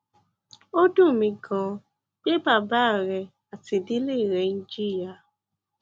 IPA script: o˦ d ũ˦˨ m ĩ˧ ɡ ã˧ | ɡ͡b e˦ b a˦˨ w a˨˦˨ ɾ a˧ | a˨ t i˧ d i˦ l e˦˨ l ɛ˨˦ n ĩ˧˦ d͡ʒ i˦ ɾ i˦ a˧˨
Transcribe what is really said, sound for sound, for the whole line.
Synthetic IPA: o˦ d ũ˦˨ m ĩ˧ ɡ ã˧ | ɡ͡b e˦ b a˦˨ b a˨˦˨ ɾ ɛ˧ | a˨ t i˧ d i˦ l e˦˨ ɾ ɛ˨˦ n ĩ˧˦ d͡ʒ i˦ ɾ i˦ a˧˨